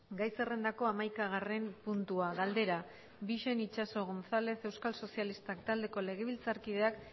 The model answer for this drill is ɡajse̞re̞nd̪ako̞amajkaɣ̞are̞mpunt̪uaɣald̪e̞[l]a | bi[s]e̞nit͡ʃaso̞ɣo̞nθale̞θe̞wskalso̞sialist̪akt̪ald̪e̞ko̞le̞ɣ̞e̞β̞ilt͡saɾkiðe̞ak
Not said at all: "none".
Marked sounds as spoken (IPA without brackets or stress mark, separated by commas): ɾ, ʃ